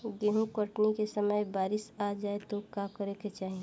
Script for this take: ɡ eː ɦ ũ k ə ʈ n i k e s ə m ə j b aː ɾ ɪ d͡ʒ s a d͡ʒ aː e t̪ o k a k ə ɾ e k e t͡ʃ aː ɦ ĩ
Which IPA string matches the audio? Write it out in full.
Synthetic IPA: ɡ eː ɦ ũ k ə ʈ n i k e s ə m ə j b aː ɾ ɪ s a d͡ʒ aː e t̪ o k a k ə ɾ e k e t͡ʃ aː ɦ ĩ